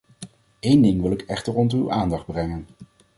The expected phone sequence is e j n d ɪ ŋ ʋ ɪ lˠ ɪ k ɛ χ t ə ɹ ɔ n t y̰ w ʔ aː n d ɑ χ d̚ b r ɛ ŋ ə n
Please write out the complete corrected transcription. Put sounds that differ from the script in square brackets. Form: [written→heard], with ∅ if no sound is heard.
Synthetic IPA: e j n d ɪ ŋ ʋ ɪ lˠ ɪ k ɛ χ t ə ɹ ɔ n t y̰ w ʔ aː n d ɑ χ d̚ b r ɛ ŋ ə n